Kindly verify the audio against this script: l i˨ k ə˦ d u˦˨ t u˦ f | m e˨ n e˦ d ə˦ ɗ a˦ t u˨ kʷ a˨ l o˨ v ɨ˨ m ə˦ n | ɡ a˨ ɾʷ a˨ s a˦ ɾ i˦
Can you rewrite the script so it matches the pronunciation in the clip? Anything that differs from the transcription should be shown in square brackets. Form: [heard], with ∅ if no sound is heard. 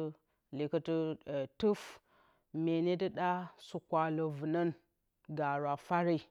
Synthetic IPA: l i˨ k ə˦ [t] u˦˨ t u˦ f | m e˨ n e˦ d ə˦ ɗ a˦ [s] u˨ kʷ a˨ l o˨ v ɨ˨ [n] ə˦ n | ɡ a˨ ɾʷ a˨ [f] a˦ ɾ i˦

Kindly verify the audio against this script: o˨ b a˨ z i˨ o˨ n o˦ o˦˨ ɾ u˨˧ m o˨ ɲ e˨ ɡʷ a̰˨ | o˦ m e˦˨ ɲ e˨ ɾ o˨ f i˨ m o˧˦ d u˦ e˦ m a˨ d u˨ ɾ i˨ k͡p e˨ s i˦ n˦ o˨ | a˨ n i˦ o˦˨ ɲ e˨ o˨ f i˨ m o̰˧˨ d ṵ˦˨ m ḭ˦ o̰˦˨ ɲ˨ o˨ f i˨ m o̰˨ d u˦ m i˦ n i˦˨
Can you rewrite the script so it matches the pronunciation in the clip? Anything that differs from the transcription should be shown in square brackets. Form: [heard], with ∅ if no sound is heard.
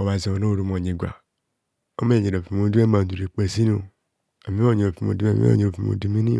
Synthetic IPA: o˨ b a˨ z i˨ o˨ n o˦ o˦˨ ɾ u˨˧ m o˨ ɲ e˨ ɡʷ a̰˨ | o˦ m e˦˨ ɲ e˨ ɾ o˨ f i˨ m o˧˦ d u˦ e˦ m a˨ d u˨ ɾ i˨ k͡p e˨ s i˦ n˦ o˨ | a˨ [m] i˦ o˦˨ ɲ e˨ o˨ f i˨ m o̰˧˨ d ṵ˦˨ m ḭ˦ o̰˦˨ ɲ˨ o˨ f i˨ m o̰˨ d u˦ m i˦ n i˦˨

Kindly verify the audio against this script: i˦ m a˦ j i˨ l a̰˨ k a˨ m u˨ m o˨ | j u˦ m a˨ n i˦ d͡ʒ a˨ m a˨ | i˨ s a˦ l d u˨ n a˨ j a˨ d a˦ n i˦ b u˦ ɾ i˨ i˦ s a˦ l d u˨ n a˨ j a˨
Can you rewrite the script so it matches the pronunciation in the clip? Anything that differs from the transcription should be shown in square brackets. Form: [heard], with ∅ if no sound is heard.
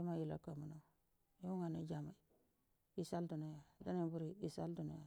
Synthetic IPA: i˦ m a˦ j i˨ l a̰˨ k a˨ m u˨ [n] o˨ | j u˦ [ŋ] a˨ n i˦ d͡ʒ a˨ m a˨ | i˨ s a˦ l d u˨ n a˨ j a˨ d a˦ n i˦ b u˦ ɾ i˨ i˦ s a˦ l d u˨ n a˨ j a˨

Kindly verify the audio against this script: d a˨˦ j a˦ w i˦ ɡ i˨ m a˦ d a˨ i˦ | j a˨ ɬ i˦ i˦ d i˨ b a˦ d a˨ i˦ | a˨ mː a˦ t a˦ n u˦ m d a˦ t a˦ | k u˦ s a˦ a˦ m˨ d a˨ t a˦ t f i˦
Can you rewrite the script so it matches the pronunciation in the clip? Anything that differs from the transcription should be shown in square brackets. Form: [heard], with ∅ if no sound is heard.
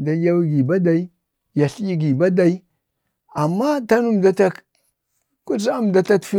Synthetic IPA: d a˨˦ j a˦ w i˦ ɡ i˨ [b] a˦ d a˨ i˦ | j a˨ ɬ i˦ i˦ [ɡ] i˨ b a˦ d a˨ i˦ | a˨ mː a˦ t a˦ n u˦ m d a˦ t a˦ | k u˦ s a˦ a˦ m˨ d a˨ t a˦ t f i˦

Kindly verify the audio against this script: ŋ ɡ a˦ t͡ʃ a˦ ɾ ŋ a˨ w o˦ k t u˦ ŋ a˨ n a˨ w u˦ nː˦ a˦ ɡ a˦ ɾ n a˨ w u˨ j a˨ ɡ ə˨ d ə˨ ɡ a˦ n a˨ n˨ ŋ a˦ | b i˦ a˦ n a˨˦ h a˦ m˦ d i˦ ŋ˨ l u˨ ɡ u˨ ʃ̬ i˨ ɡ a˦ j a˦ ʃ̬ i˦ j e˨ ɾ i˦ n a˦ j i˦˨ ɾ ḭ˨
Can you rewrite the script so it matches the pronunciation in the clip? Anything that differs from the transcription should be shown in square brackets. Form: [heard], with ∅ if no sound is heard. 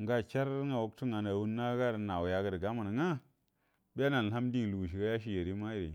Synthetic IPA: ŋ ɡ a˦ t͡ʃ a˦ ɾ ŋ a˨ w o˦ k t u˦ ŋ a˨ n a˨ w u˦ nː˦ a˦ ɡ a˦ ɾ n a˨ w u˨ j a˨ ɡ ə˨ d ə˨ ɡ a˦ [m] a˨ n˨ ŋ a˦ | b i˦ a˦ n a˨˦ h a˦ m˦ d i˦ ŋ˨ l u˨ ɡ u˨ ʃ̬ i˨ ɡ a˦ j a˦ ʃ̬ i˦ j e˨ ɾ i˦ [m] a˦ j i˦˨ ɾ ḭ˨

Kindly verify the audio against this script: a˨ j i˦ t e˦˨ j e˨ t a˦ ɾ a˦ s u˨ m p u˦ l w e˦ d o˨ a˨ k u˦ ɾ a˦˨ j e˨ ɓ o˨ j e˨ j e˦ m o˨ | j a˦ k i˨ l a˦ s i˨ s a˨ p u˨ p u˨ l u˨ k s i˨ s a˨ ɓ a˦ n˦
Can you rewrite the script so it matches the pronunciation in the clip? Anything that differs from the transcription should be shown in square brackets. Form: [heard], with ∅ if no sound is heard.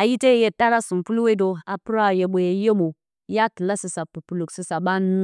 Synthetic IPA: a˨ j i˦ t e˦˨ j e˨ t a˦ ɾ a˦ s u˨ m p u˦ l w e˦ d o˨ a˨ [p] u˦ ɾ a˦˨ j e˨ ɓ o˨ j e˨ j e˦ m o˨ | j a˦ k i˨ l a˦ s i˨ s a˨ p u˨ p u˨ l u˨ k s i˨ s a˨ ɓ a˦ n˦

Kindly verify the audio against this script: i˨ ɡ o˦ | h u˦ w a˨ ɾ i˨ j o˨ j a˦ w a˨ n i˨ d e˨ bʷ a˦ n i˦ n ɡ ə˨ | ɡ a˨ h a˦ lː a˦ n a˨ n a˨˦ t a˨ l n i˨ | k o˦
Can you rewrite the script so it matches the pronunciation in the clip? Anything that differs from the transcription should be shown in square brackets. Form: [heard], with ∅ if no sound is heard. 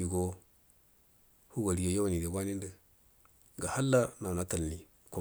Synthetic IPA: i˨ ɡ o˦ | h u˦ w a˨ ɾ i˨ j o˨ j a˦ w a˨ n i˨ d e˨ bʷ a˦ n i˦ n [d] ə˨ | ɡ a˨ h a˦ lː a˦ n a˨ n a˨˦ t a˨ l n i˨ | k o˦

